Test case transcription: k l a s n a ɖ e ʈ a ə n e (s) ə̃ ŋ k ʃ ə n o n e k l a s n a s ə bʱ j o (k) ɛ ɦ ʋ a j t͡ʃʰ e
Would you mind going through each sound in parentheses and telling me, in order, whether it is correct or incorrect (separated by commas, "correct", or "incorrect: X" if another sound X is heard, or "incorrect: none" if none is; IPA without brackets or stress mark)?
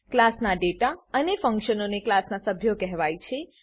incorrect: f, correct